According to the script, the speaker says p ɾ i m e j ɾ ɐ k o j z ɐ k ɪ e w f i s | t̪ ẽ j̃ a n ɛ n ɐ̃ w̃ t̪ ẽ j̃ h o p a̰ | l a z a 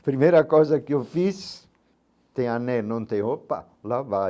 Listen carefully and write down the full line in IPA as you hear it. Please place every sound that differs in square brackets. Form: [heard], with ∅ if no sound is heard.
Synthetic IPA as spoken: p ɾ i m e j ɾ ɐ k o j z ɐ k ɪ e w f i s | t̪ ẽ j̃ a n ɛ n ɐ̃ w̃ t̪ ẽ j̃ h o p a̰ | l a [v] a